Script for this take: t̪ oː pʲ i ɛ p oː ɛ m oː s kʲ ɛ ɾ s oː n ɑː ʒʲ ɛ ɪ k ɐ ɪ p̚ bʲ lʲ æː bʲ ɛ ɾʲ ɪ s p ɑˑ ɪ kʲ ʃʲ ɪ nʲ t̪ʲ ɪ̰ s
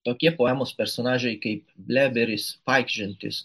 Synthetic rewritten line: t̪ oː kʲ i ɛ p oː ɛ m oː s pʲ ɛ ɾ s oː n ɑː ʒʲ ɛ ɪ k ɐ ɪ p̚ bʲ lʲ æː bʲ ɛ ɾʲ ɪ s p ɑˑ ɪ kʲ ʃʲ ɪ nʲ t̪ʲ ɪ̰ s